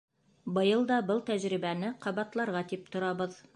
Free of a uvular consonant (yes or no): no